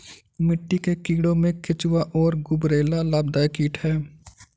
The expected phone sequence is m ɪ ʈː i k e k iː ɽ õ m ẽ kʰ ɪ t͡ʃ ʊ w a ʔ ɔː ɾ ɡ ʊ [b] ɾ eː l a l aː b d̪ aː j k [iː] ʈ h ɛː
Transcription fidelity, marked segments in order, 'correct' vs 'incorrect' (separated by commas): correct, correct